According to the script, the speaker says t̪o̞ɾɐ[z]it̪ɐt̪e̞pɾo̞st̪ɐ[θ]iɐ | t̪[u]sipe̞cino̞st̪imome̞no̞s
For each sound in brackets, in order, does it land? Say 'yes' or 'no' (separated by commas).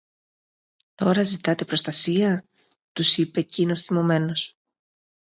yes, no, yes